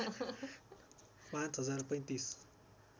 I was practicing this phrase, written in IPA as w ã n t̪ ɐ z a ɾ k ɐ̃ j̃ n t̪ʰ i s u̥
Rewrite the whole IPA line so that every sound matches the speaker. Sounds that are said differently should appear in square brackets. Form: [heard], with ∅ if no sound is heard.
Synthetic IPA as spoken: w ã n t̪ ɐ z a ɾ [p] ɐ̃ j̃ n [t̪] i s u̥